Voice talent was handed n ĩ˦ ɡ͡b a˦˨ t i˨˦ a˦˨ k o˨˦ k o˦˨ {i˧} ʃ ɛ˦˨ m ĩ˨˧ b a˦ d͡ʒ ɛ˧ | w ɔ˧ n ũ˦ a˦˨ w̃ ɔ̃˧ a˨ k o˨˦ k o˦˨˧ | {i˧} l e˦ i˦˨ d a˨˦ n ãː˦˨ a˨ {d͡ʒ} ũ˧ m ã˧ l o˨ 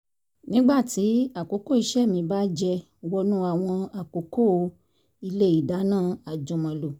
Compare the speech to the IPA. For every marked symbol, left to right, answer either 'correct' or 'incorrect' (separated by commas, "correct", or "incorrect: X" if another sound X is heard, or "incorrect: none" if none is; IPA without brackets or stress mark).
correct, correct, correct